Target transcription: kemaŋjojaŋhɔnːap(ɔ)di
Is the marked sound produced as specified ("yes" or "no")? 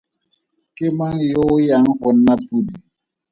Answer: no